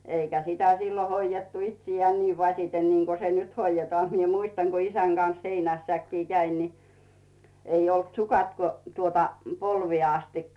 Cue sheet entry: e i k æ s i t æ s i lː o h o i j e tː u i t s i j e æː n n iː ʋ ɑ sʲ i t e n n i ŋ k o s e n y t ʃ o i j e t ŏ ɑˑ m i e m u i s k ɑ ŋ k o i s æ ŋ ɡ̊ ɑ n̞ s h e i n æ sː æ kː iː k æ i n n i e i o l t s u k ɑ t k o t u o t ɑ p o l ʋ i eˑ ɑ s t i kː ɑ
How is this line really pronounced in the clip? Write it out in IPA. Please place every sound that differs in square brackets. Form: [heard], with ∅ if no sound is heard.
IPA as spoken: e i k æ s i t æ s i lː o h o i j e tː u i t s i j e æː n n iː ʋ ɑ sʲ i t e n n i ŋ k o s e n y t [h] o i j e t ŏ ɑˑ m i e m u i s [t] ɑ ŋ k o i s æ ŋ ɡ̊ ɑ n̞ s h e i n æ sː æ kː iː k æ i n n i e i o l t s u k ɑ t k o t u o t ɑ p o l ʋ i eˑ ɑ s t i kː ɑ